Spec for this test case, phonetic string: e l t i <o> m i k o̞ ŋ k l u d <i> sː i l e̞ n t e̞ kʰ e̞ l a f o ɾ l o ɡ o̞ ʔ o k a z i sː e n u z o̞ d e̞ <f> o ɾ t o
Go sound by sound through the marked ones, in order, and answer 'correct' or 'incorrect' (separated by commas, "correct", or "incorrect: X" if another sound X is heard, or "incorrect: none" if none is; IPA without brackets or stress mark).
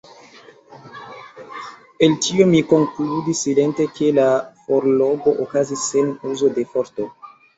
correct, correct, correct